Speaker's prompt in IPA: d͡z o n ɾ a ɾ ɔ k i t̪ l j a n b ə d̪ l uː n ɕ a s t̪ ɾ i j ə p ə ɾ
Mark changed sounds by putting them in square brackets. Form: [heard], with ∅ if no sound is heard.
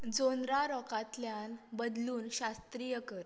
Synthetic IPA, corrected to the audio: d͡z o n ɾ a ɾ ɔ k [a] t̪ l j a n b ə d̪ l uː n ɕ a s t̪ ɾ i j ə [k] ə ɾ